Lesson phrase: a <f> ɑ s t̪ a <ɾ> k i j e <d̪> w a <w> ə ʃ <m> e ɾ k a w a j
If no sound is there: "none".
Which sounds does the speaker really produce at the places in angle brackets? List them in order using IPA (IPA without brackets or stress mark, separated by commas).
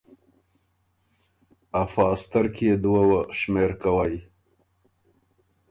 f, ɾ, d̪, w, m